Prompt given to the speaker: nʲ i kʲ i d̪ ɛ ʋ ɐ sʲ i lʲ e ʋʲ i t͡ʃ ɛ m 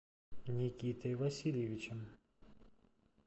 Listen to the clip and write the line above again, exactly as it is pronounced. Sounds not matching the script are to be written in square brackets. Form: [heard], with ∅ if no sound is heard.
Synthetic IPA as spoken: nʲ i kʲ i [t̪] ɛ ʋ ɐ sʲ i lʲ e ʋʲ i t͡ʃ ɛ m